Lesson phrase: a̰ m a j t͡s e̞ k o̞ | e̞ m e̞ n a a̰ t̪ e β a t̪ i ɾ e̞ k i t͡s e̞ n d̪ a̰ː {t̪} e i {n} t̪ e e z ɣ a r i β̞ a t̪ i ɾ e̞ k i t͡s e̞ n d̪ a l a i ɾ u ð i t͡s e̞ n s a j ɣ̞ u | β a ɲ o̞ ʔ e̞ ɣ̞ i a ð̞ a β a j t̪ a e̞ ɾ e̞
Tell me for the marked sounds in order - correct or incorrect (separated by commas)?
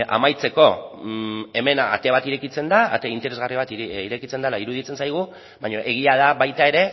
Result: correct, correct